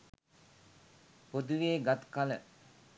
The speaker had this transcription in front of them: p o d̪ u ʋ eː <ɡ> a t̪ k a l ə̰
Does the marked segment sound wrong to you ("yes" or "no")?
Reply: no